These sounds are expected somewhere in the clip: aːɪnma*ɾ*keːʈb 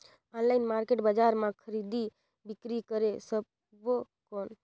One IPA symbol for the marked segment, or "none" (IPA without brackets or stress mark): ɾ